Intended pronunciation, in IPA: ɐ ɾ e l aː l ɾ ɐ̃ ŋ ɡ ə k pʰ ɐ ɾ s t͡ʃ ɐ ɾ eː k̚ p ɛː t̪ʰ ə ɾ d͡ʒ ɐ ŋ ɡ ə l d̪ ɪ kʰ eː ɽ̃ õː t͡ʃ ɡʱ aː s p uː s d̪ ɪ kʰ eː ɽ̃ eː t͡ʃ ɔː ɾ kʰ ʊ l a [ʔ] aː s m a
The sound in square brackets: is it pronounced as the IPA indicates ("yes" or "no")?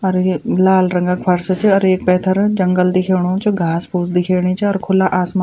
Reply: yes